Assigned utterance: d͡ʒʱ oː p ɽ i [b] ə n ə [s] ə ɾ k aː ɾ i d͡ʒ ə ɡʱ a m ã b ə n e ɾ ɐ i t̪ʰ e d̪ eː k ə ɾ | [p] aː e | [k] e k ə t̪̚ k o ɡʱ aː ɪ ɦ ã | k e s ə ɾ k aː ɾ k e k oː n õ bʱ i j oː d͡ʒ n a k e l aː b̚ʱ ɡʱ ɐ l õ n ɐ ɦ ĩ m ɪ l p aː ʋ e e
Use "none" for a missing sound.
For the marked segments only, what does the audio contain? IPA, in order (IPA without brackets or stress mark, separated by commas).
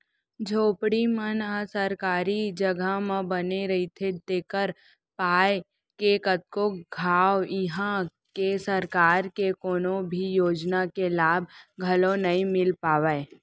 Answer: m, s, p, k